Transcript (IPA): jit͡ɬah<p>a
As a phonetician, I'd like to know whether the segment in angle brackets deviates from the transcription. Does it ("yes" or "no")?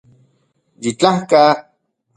yes